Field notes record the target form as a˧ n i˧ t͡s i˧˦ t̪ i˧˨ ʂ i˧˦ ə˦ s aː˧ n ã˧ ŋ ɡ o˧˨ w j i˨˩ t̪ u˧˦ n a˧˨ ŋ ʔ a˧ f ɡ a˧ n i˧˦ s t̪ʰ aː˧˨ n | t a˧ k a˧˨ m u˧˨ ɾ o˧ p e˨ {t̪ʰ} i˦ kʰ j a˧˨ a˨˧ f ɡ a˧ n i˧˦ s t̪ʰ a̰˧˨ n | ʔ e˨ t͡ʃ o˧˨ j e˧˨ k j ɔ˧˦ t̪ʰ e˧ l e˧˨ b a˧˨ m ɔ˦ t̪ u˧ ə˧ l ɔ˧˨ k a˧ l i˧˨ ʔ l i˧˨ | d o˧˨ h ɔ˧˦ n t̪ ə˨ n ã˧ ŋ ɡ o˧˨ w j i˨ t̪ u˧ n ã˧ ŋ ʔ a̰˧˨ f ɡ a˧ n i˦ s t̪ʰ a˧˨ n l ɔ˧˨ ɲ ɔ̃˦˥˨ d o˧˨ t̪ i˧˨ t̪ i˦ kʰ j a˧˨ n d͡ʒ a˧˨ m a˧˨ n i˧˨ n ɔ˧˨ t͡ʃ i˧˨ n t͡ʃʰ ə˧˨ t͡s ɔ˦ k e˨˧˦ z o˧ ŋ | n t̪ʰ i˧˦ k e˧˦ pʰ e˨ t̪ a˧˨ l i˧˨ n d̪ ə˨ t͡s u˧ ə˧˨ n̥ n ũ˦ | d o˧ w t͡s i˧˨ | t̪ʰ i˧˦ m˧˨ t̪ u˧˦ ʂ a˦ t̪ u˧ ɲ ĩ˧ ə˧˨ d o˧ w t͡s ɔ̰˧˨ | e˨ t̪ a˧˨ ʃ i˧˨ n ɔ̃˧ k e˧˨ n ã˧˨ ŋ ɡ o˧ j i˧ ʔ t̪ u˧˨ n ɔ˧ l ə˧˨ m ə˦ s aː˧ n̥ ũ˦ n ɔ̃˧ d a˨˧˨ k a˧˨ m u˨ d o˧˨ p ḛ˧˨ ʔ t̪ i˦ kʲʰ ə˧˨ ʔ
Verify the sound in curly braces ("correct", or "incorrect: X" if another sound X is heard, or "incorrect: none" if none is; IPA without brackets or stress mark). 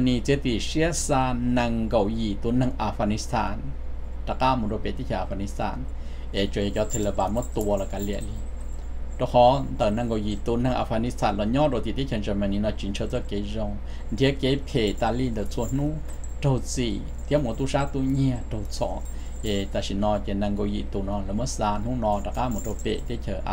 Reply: incorrect: t̪